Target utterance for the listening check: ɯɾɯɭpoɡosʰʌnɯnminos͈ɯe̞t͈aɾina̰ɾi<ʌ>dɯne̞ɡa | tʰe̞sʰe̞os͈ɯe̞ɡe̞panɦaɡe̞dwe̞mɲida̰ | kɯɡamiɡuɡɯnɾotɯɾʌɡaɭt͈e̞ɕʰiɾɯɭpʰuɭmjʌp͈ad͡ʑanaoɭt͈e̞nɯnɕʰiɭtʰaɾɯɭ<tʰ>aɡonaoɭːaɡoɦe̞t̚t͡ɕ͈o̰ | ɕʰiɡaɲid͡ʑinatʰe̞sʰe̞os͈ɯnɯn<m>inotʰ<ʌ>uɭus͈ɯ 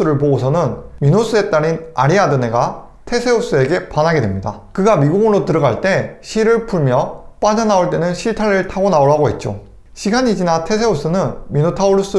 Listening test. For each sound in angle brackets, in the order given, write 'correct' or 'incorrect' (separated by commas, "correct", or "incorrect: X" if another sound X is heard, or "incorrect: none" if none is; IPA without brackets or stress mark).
incorrect: a, correct, correct, incorrect: a